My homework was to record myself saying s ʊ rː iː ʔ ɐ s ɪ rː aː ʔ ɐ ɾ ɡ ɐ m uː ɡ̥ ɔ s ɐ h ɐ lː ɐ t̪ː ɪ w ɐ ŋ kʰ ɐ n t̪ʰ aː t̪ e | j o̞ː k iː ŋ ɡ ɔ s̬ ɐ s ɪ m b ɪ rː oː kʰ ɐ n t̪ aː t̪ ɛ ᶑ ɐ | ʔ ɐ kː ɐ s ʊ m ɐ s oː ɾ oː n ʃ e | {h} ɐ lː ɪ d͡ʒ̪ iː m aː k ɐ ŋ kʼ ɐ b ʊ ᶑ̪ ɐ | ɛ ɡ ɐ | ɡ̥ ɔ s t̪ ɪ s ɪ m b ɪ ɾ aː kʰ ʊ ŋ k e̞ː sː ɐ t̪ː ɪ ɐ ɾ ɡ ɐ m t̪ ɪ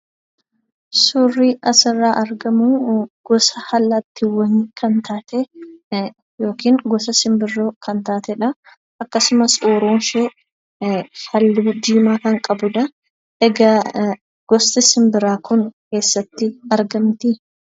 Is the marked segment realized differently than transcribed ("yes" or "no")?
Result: no